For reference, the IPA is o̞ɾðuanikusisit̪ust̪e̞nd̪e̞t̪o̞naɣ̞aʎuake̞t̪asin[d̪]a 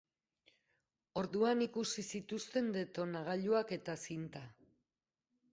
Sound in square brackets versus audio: incorrect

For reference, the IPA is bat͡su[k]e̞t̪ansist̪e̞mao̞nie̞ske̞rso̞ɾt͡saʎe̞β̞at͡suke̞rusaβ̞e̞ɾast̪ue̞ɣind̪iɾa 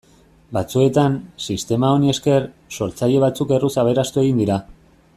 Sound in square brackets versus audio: incorrect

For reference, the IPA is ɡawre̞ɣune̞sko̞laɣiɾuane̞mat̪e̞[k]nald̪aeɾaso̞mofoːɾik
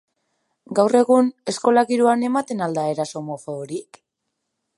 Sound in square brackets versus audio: incorrect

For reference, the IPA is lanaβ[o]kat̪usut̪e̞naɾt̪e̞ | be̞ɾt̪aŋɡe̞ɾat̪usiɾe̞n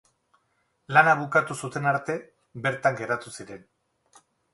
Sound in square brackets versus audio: incorrect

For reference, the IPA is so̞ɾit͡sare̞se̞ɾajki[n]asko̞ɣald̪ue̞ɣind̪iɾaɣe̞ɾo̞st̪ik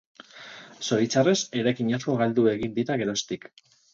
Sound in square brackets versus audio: incorrect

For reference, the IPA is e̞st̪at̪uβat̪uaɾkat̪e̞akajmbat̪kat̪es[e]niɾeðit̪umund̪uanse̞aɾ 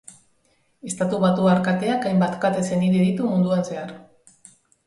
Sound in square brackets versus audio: correct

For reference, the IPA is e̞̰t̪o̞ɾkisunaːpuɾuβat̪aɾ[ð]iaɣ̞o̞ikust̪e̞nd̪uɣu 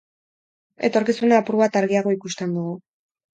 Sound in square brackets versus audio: incorrect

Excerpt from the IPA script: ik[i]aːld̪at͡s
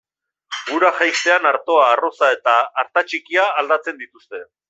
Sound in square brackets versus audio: correct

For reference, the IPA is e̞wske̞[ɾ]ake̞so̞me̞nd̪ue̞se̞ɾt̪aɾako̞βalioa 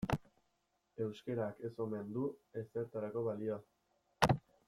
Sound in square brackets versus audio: correct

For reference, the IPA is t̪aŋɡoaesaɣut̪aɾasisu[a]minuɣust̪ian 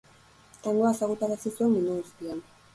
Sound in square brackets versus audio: incorrect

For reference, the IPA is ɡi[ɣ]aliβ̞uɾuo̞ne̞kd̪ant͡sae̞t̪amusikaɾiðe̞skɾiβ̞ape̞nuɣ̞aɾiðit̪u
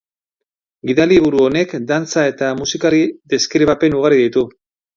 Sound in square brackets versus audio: incorrect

